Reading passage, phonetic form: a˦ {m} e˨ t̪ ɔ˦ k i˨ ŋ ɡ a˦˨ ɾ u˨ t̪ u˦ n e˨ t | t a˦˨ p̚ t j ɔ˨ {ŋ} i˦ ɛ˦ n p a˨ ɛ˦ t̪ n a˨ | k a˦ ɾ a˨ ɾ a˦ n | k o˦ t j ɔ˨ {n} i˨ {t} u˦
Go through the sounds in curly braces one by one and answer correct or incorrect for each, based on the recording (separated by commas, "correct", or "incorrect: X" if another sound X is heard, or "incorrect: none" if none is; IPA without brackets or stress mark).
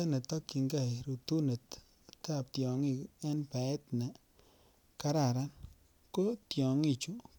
incorrect: n, correct, incorrect: ŋ, incorrect: t͡ʃ